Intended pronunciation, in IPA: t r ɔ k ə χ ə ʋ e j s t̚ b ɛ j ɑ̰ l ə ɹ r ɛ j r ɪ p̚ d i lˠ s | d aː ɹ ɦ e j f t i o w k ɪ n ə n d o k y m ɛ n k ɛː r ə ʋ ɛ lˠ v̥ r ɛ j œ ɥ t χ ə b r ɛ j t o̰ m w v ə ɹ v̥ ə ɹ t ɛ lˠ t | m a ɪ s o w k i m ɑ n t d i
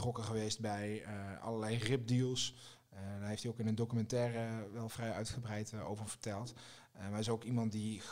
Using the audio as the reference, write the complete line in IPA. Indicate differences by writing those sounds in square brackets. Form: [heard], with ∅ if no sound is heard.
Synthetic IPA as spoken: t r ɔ k ə χ ə ʋ e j s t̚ b ɛ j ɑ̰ l ə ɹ [l] ɛ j r ɪ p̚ d i lˠ s | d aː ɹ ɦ e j f t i o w k ɪ n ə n d o k y m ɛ n [t] ɛː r ə ʋ ɛ lˠ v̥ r ɛ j œ ɥ t χ ə b r ɛ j t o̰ [∅] w v ə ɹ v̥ ə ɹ t ɛ lˠ t | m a ɪ s o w k i m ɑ n t d i